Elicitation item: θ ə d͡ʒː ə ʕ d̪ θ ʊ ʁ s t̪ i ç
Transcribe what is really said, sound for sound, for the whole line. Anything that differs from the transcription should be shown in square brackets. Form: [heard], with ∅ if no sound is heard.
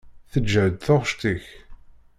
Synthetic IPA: θ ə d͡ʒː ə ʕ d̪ θ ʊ ʁ [ʃ] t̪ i ç